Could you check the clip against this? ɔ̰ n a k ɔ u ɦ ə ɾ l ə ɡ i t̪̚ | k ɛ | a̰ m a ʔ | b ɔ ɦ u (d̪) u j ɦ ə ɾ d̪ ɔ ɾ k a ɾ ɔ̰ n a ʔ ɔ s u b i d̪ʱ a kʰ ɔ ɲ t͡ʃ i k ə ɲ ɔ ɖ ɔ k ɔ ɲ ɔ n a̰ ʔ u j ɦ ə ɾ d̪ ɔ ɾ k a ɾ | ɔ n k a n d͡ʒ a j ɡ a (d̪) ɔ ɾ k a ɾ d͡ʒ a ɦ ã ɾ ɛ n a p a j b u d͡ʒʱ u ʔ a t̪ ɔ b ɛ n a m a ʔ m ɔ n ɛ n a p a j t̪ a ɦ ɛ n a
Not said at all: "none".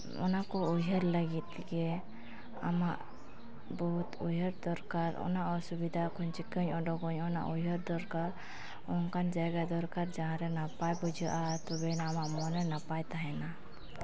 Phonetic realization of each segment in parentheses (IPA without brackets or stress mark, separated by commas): t̪, d̪